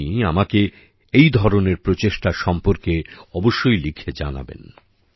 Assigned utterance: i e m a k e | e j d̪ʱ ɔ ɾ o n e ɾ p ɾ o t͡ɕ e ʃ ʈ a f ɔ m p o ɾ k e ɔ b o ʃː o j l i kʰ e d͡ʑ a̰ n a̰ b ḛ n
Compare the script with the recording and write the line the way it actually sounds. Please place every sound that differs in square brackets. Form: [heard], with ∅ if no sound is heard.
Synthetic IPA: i [a] m a k e | e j d̪ʱ ɔ ɾ o n e ɾ p ɾ o t͡ɕ e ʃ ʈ a [ʃ] ɔ m p o ɾ k e ɔ b o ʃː o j l i kʰ e d͡ʑ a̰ n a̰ b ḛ n